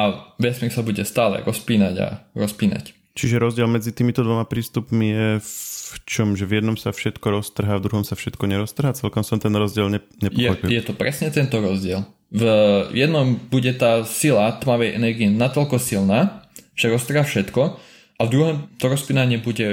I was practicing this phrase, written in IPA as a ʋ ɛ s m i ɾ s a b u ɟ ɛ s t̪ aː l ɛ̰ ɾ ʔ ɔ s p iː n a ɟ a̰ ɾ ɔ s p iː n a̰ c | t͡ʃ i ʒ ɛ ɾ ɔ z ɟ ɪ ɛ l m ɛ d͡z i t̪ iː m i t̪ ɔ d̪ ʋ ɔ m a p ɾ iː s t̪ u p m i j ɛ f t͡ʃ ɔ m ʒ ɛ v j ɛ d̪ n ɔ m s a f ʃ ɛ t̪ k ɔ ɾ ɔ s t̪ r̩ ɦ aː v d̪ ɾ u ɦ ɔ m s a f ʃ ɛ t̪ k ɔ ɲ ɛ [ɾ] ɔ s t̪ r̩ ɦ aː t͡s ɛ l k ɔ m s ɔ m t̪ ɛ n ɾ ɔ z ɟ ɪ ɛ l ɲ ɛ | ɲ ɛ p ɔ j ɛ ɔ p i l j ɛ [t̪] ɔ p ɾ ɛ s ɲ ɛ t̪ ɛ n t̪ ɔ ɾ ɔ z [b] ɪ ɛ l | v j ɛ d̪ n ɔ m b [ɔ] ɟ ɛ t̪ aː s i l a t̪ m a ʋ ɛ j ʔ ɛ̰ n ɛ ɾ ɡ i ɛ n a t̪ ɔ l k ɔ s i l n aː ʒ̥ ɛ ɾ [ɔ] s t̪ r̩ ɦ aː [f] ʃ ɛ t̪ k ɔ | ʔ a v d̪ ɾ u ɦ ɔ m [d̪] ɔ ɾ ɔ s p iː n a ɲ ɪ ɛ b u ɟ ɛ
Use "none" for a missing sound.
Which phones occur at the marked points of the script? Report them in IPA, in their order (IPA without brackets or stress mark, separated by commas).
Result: ɾ, t̪, ɟ, u, ɔ, f, t̪